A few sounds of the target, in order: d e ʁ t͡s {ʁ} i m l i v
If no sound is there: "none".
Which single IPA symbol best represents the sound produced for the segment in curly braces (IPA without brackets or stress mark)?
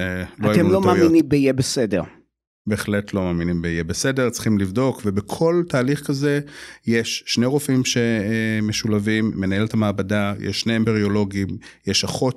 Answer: χ